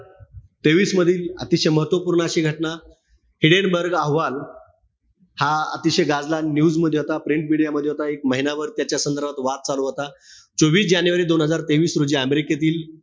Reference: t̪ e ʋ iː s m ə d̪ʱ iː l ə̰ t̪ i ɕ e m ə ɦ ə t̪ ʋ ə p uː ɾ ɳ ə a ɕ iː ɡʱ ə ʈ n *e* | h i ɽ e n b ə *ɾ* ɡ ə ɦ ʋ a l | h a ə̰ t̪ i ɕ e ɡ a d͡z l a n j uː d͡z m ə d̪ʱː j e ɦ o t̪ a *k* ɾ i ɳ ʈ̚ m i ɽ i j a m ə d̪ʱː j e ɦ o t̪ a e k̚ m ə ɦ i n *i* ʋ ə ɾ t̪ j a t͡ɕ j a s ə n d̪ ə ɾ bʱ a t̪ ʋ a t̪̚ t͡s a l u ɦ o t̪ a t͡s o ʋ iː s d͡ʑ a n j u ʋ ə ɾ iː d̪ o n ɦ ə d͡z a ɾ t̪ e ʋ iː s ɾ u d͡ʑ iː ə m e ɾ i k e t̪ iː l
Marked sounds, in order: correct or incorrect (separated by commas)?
incorrect, correct, incorrect, incorrect